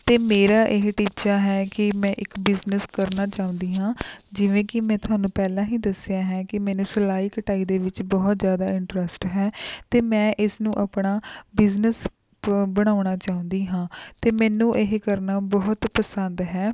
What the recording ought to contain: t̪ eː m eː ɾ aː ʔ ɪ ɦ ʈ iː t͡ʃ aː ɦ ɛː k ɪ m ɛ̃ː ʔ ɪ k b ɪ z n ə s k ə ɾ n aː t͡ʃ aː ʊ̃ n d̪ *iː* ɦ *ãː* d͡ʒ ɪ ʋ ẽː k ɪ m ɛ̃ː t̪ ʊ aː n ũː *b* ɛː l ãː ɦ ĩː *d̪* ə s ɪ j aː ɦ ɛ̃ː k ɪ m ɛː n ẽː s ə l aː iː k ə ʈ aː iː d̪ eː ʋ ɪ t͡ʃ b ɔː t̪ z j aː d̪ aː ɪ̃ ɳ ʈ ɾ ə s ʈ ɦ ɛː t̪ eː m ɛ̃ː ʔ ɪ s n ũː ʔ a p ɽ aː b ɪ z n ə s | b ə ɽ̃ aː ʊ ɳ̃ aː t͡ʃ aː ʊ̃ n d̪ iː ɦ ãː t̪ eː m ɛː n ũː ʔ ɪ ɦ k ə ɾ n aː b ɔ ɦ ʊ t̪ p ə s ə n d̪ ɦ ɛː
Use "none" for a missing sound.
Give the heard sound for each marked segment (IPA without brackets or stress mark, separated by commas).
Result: iː, ãː, p, d̪